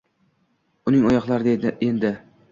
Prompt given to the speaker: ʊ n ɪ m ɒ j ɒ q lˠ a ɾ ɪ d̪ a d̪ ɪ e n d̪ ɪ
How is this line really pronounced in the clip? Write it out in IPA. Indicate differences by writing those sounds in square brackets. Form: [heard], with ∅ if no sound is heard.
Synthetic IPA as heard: ʊ n ɪ [ŋ] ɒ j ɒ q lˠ a ɾ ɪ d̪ [e] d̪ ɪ e n d̪ ɪ

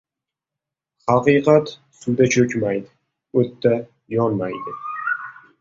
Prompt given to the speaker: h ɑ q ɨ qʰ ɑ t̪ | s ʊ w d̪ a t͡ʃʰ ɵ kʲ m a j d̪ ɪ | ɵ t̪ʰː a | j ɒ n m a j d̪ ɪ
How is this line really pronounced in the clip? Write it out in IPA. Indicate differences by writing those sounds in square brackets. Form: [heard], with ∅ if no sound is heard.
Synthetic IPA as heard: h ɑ q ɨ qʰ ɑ t̪ | s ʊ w d̪ a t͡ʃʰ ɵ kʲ m a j d̪ ɪ | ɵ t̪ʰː a | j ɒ n m a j d̪ ɪ

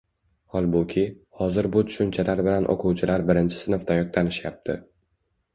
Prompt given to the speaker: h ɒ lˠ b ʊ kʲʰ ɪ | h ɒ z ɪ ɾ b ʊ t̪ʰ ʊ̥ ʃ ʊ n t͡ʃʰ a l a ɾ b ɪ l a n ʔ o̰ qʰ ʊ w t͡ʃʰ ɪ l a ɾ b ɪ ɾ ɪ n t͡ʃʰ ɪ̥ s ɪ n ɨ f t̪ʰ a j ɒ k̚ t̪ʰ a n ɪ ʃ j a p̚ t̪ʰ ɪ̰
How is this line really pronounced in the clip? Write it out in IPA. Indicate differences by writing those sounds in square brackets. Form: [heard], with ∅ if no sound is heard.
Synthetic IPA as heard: h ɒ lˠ b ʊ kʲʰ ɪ | h ɒ z ɪ ɾ b ʊ t̪ʰ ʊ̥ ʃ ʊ n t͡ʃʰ a l a ɾ b ɪ l a n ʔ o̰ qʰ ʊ w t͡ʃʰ ɪ l a ɾ b ɪ ɾ ɪ n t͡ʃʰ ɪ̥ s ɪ n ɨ f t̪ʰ a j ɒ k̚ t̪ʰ a n ɪ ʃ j a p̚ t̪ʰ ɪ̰

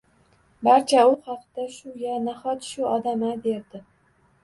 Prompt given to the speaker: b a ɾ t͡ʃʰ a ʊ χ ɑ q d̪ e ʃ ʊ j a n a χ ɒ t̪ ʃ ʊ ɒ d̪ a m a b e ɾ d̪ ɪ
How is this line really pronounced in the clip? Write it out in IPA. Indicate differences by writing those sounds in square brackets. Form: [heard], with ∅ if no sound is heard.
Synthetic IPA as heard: b a ɾ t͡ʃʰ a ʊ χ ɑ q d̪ [a] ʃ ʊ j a n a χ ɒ t̪ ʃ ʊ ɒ d̪ a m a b e ɾ d̪ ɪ

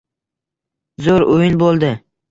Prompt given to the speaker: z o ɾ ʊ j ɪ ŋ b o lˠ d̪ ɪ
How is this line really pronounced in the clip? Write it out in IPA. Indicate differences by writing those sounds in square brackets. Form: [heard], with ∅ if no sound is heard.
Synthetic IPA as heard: z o ɾ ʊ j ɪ [n] b o lˠ d̪ ɪ

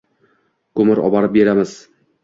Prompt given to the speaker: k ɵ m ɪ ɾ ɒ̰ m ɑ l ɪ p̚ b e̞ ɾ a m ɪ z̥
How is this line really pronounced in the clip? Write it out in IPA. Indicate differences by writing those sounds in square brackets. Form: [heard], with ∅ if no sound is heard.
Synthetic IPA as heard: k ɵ m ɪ ɾ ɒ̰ [b] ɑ [ɾ] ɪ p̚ b e̞ ɾ a m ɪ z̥

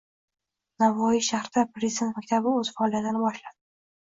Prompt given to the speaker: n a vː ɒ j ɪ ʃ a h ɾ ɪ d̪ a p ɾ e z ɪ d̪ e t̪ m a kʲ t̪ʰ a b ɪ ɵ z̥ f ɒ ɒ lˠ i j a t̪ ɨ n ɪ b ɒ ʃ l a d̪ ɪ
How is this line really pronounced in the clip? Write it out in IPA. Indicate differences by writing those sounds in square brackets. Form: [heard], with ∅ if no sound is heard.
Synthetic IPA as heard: n a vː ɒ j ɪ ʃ a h ɾ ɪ d̪ a p ɾ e z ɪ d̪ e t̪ m a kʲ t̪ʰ a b ɪ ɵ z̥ f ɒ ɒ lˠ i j a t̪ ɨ n ɪ b ɒ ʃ l a d̪ ɪ

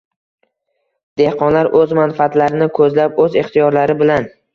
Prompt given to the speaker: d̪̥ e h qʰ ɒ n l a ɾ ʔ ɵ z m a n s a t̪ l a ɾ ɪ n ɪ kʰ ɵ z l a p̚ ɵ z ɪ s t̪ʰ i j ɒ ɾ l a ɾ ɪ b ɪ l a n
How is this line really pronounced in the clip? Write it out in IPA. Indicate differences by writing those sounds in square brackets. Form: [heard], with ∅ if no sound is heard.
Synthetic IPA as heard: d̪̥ e h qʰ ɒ n l a ɾ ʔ ɵ z m a n [f] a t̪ l a ɾ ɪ n ɪ kʰ ɵ z l a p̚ ɵ z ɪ [χ] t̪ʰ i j ɒ ɾ l a ɾ ɪ b ɪ l a n

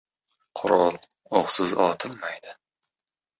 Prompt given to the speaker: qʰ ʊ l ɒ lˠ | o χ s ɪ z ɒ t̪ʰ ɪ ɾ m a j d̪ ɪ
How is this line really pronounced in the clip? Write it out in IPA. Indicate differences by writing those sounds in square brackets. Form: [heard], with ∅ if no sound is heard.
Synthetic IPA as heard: qʰ ʊ [ɾ] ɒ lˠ | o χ s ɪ z ɒ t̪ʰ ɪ [l] m a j d̪ ɪ

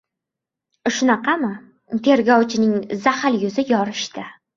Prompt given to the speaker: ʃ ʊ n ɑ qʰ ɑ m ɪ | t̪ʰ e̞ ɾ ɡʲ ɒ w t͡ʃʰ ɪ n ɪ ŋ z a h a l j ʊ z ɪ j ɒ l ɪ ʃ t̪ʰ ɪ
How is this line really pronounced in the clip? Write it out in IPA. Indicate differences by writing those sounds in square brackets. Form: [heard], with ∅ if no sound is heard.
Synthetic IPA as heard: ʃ ʊ n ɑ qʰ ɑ m ɪ | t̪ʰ e̞ ɾ ɡʲ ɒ w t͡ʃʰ ɪ n ɪ ŋ z a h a l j ʊ z ɪ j ɒ [ɾ] ɪ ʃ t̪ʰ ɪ

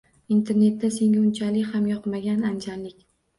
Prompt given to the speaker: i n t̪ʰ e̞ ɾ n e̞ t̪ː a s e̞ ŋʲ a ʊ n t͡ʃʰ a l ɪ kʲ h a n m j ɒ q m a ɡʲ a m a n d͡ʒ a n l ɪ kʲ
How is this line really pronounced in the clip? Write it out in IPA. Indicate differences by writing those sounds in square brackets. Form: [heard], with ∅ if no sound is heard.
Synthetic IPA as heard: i n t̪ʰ e̞ ɾ n e̞ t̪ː a s e̞ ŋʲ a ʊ n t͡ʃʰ a l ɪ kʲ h a [∅] m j ɒ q m a ɡʲ a [n] a n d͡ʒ a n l ɪ kʲ

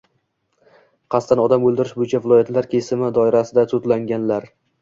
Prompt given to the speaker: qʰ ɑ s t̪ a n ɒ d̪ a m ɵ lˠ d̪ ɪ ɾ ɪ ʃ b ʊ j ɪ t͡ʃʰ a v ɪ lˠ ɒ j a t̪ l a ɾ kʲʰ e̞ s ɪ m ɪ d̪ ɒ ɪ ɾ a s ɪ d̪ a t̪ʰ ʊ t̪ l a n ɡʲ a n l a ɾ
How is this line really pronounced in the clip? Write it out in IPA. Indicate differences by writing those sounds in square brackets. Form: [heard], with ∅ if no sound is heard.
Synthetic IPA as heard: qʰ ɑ s t̪ a n ɒ d̪ a m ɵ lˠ d̪ ɪ ɾ ɪ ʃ b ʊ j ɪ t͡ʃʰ a v ɪ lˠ ɒ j a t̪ l a ɾ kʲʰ e̞ s ɪ m ɪ d̪ ɒ ɪ ɾ a s ɪ d̪ a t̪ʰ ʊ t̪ l a [ŋ] ɡʲ a n l a ɾ

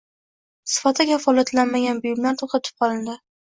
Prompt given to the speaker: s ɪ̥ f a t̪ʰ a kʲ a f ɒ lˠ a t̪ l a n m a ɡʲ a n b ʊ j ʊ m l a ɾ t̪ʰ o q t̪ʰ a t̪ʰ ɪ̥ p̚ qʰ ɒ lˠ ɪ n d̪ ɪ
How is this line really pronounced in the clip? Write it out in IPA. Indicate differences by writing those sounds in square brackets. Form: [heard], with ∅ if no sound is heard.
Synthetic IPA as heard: s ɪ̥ f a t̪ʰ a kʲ a f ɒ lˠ a t̪ l a n m a ɡʲ a n b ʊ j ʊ m l a ɾ t̪ʰ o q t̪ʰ a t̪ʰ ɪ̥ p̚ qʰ ɒ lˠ ɪ n d̪ ɪ

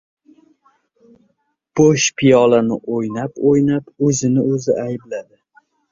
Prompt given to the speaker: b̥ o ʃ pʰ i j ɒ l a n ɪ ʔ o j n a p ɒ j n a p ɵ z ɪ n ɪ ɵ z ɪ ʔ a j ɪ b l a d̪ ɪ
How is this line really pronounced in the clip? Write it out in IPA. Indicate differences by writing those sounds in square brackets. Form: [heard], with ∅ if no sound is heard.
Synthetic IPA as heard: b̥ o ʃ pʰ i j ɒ l a n ɪ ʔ o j n a p [o] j n a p ɵ z ɪ n ɪ ɵ z ɪ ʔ a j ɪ b l a d̪ ɪ

